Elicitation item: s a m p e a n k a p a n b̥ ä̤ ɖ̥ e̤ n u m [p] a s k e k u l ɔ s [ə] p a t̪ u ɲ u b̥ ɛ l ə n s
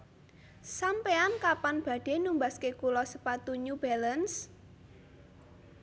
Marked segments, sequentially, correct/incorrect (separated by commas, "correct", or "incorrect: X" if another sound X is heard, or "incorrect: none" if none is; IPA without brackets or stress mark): incorrect: b, correct